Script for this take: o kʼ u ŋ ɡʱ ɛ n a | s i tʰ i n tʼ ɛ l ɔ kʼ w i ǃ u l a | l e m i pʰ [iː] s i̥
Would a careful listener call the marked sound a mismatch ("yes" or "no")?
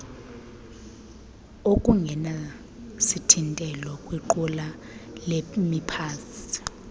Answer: yes